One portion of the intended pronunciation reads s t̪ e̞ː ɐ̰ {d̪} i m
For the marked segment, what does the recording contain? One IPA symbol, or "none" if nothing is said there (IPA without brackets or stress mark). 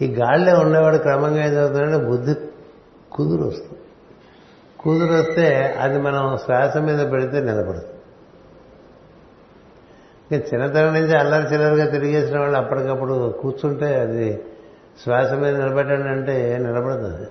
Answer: d̪